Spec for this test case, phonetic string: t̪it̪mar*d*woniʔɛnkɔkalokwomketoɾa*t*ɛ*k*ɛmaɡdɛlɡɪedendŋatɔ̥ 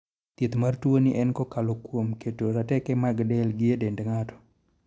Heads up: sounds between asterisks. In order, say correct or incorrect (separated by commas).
incorrect, correct, correct